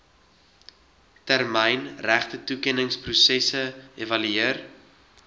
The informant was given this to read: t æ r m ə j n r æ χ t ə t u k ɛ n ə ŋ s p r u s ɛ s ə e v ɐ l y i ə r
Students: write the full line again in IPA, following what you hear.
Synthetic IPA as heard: t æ r m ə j n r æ χ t ə t u k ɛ n ə ŋ s p r u s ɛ s ə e v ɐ l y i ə r